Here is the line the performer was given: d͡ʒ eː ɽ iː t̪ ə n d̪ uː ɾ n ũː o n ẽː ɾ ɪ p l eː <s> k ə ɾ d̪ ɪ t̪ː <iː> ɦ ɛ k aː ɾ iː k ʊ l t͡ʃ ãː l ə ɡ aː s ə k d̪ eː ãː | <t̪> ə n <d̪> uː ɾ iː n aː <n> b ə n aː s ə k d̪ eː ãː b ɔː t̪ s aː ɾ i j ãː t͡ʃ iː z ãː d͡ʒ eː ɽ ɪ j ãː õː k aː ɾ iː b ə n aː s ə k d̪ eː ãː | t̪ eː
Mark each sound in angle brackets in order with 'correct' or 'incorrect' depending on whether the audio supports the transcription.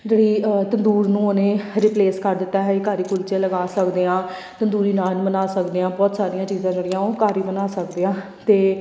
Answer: correct, incorrect: aː, correct, correct, correct

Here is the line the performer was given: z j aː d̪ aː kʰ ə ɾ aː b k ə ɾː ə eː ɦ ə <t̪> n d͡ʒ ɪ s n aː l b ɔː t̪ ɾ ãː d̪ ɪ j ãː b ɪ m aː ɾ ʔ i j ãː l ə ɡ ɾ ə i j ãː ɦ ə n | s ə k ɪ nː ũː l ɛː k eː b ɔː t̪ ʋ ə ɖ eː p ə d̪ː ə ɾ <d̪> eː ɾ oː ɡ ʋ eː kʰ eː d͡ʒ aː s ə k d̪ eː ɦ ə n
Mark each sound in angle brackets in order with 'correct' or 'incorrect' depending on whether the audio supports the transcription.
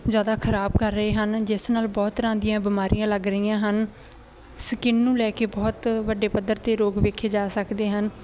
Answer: incorrect: none, incorrect: t̪

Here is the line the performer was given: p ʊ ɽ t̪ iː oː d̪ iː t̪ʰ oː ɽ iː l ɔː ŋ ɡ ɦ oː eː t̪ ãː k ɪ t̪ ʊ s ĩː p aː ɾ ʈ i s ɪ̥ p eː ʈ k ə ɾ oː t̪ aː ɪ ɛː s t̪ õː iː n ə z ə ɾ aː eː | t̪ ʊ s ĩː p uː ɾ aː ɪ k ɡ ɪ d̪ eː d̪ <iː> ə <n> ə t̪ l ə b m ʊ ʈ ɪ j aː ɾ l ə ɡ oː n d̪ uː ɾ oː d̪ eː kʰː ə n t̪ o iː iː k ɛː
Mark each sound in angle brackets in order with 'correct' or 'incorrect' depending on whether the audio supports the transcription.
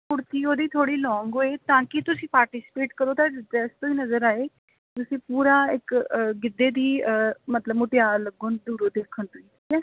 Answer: correct, incorrect: m

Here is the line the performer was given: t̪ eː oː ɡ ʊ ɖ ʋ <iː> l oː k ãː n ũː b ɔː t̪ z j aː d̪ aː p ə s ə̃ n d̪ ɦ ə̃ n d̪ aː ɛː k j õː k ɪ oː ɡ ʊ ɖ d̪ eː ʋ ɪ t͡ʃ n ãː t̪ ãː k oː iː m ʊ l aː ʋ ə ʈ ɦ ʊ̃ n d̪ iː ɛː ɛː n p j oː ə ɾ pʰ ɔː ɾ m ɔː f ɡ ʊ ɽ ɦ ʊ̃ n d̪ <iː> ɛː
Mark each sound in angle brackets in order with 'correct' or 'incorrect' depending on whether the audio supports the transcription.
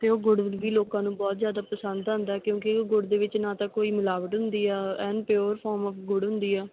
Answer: correct, correct

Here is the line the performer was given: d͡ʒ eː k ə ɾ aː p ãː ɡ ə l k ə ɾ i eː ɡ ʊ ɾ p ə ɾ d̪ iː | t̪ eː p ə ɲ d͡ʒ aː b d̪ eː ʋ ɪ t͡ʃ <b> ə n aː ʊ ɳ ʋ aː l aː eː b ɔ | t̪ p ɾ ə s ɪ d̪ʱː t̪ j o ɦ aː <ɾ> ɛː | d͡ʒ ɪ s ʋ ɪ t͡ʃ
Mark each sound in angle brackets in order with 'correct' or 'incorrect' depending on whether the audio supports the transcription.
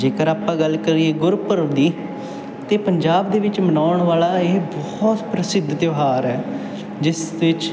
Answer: incorrect: m, correct

